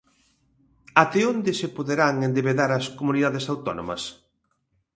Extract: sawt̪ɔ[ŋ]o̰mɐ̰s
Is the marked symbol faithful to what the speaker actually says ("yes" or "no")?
no